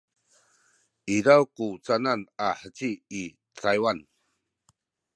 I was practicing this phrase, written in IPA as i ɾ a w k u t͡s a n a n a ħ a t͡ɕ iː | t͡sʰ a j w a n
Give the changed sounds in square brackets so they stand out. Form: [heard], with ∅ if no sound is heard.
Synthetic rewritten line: i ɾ a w k u t͡s a n a n a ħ [ə] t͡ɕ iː | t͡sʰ a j w a n